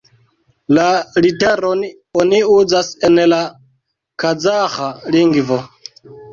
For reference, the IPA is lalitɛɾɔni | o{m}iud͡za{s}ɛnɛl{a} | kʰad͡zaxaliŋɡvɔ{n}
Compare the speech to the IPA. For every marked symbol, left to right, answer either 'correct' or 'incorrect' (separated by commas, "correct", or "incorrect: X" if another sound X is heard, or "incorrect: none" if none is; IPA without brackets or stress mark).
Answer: incorrect: n, correct, correct, incorrect: none